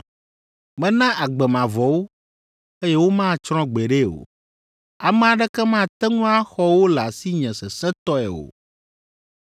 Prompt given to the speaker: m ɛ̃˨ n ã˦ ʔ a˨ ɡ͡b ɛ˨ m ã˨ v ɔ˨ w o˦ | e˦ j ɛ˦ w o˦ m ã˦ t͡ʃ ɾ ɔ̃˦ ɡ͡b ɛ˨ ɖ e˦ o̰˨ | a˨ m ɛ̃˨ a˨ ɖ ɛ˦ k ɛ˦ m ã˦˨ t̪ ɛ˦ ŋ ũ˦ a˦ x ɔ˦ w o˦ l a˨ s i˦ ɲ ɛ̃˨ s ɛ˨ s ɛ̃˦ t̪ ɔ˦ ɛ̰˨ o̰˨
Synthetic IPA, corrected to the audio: m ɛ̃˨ n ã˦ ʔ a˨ ɡ͡b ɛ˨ m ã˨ v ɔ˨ w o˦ | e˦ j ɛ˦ w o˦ m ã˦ t͡ʃ ɾ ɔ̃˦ ɡ͡b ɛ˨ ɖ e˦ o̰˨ | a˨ m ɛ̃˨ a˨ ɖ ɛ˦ k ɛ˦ m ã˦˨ t̪ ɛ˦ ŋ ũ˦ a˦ x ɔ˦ w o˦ l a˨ s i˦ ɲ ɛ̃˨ s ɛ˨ s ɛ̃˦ t̪ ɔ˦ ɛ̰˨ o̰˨